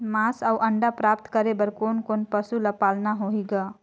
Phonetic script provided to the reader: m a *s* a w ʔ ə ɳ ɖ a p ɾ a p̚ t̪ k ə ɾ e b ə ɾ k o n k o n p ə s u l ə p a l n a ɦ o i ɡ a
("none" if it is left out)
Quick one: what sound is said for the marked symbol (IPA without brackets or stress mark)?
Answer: s